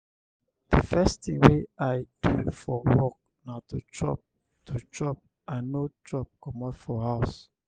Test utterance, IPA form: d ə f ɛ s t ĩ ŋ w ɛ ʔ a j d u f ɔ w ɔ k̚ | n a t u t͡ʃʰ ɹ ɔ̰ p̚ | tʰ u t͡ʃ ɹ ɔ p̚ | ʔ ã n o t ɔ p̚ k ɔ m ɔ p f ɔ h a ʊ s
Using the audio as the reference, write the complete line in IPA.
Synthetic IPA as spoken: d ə f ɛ s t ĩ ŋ w e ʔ a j d u f ɔ w ɔ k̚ | n a t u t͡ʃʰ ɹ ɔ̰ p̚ | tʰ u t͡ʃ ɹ ɔ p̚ | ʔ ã n o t ɔ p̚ k ɔ m ɔ t f ɔ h a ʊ s